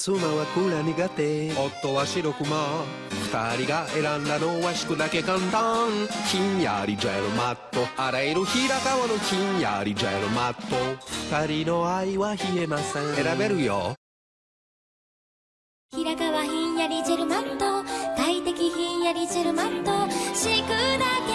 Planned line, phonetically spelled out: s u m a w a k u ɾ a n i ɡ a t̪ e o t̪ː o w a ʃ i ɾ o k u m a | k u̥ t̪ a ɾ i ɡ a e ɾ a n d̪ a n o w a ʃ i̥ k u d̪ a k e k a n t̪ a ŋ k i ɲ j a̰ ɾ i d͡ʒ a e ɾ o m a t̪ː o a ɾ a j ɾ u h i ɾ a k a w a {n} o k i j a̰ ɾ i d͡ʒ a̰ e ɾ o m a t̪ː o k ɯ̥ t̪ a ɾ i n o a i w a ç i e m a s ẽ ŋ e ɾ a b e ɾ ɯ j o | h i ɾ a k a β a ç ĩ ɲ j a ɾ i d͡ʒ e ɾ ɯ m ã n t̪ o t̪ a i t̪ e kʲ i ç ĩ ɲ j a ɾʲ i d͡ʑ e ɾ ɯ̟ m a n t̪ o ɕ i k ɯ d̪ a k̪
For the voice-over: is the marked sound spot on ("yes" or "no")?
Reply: yes